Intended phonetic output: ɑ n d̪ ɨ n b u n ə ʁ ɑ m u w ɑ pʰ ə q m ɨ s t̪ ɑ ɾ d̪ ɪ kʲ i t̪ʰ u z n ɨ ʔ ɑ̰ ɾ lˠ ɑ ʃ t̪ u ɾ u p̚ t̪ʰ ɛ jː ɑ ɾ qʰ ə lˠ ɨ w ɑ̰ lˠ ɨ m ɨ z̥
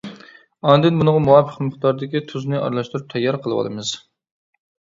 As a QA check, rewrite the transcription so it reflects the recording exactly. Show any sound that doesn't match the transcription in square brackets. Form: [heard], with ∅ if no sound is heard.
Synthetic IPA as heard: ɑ n d̪ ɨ n b u n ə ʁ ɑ m u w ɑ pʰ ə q m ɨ [χ] t̪ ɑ ɾ d̪ ɪ kʲ i t̪ʰ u z n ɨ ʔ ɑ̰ ɾ lˠ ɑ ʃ t̪ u ɾ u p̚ t̪ʰ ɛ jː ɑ ɾ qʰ ə lˠ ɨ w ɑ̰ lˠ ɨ m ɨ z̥